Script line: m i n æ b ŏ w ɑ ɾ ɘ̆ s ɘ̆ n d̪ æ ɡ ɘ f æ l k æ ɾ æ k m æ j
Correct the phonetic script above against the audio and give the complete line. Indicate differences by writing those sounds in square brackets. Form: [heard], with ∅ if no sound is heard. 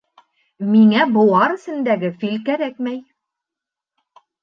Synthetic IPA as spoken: m i [ŋ] æ b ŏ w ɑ ɾ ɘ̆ s ɘ̆ n d̪ æ ɡ ɘ f [i] l k æ ɾ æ k m æ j